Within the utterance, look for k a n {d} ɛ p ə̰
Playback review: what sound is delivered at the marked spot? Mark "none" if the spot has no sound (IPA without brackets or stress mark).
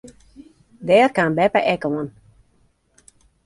b